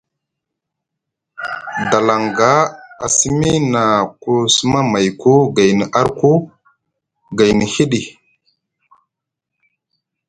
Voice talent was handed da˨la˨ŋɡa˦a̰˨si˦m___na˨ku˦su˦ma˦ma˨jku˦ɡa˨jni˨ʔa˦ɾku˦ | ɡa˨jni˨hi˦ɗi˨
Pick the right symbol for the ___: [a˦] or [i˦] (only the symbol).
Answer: i˦